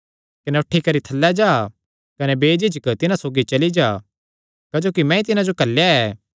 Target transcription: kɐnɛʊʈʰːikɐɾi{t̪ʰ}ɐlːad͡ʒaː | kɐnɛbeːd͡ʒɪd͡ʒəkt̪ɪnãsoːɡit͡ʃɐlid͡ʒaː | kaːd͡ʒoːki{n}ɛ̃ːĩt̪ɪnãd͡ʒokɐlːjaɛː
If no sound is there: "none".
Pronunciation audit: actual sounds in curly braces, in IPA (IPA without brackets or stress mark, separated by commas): t̪ʰ, m